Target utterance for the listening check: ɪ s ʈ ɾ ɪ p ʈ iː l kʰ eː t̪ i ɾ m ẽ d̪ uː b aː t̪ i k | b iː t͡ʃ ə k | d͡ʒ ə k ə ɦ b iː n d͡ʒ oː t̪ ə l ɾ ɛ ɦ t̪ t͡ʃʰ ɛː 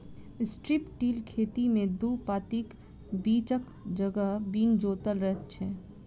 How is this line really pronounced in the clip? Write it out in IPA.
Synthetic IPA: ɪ s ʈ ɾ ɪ p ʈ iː l kʰ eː t̪ i m ẽ d̪ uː p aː t̪ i k | b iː t͡ʃ ə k | d͡ʒ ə ɡ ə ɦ b iː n d͡ʒ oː t̪ ə l ɾ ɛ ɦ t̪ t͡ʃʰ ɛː